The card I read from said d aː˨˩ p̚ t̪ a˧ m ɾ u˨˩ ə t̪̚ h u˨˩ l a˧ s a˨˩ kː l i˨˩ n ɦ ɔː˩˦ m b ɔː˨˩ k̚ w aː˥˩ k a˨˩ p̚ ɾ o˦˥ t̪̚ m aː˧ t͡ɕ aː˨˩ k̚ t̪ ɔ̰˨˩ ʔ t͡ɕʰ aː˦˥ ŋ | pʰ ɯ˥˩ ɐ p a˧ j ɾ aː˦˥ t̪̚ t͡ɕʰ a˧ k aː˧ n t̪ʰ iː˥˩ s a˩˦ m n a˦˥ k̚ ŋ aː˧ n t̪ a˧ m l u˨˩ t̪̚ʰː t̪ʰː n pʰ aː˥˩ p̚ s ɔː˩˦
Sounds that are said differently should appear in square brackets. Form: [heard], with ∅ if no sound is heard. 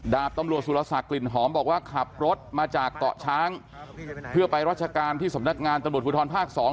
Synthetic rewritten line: d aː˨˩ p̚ t̪ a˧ m ɾ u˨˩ ə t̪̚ [s] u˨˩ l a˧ s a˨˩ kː l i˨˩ n ɦ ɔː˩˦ m b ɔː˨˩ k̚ w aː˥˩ [kʰ] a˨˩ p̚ ɾ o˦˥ t̪̚ m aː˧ t͡ɕ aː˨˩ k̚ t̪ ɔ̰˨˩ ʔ t͡ɕʰ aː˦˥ ŋ | pʰ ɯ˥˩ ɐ p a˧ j ɾ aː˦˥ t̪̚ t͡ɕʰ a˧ k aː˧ n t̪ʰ iː˥˩ s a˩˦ m n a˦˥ k̚ ŋ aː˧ n t̪ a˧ m [ɾ] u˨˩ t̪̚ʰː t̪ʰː n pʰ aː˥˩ [k̚] s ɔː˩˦